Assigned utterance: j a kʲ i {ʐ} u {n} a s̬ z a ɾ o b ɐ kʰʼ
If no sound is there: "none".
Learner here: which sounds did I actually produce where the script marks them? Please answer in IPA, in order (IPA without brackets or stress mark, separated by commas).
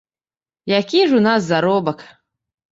ʐ, n